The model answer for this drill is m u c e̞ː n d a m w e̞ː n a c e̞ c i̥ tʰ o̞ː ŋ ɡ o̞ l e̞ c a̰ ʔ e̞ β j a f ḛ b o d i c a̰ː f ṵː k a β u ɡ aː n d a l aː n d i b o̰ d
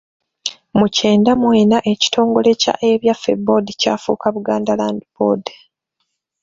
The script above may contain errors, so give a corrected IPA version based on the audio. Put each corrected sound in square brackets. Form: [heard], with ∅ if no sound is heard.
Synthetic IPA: m u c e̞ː n d a m w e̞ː n a [ʔ] e̞ c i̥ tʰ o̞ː ŋ ɡ o̞ l e̞ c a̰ ʔ e̞ β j a f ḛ b o d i c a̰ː f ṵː k a β u ɡ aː n d a l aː n d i b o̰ d

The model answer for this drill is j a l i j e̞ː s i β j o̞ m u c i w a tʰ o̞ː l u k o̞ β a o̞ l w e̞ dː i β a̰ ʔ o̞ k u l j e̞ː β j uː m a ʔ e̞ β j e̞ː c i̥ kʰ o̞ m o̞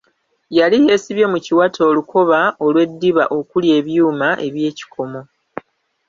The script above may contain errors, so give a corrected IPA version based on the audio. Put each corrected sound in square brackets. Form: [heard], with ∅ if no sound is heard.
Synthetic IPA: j a l i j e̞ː s i β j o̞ m u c i w a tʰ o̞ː l u k o̞ β a o̞ l w e̞ dː i β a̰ ʔ o̞ k u l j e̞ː β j uː m a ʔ e̞ β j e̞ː c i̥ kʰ o̞ m o̞

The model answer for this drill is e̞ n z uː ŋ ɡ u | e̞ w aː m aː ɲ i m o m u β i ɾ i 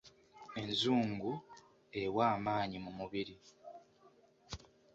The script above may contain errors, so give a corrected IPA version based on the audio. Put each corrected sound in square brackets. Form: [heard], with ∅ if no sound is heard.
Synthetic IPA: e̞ n z uː ŋ ɡ u | e̞ w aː m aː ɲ i m [u] m u β i ɾ i

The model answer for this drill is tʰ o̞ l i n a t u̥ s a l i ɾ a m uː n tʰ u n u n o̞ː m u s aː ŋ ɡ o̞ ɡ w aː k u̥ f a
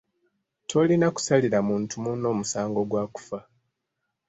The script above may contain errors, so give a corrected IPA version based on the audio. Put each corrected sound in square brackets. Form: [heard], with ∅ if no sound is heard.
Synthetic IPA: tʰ o̞ l i n a [k] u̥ s a l i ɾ a m uː n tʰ u [m] u n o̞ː m u s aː ŋ ɡ o̞ ɡ w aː k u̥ f a

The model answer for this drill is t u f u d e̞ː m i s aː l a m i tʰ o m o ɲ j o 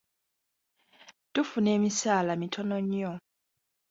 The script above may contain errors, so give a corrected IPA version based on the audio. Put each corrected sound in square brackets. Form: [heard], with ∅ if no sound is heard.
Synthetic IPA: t u f u [n] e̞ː m i s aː l a m i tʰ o [n] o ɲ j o

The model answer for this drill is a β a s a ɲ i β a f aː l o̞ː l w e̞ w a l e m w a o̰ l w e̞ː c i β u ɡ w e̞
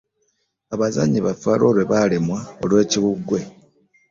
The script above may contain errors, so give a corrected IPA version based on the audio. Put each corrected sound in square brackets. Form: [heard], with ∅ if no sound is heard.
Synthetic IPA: a β a [z] a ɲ i β a f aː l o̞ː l w e̞ [β] a l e m w a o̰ l w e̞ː c i β u ɡ w e̞

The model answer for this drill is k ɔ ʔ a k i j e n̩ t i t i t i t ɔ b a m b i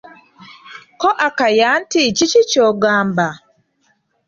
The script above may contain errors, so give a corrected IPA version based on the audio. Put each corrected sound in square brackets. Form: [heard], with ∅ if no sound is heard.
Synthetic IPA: k ɔ ʔ a k [a] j [a] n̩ t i [t͡ʃ] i [t͡ʃ] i [t͡ʃ] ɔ [ɡ] a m b [a]

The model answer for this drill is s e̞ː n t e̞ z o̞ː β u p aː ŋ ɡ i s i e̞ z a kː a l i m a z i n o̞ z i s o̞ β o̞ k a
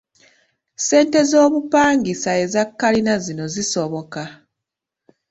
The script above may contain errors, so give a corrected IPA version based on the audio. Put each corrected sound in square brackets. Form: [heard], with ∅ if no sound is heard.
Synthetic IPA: s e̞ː n t e̞ z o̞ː β u p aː ŋ ɡ i s [a] e̞ z a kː a l i [n] a z i n o̞ z i s o̞ β o̞ k a

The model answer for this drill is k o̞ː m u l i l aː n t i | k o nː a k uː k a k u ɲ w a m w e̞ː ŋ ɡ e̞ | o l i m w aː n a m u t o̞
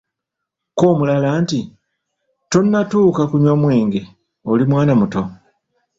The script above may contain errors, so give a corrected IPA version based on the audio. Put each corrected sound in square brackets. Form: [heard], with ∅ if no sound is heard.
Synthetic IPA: k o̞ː m u l [a] l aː n t i | [t] o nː a [t] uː k a k u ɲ w a m w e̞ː ŋ ɡ e̞ | o l i m w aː n a m u t o̞

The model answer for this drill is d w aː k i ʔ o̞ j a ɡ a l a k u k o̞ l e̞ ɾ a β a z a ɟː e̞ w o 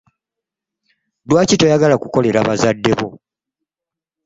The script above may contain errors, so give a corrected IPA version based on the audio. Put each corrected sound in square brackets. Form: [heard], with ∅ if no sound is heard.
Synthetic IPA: d w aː [c] i [t] o̞ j a ɡ a l a k u k o̞ l e̞ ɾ a β a z a [dː] e̞ [β] o

